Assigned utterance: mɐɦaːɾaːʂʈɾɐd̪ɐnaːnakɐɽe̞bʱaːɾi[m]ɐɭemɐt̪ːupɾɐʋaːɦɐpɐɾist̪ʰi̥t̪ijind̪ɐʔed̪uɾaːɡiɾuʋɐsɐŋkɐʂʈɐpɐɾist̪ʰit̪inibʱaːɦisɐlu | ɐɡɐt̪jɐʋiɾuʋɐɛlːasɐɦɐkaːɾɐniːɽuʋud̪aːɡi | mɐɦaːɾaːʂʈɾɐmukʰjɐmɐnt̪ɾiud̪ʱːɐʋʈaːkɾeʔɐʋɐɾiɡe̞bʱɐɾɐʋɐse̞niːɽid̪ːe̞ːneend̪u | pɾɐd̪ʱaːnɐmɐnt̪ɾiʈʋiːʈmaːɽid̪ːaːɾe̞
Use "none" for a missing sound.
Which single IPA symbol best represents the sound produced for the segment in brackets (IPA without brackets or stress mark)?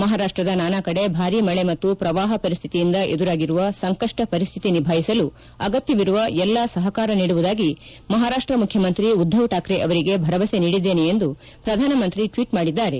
m